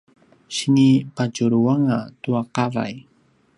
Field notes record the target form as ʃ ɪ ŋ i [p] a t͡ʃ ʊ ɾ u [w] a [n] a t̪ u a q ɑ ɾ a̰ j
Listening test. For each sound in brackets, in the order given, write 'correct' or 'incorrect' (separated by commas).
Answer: correct, correct, incorrect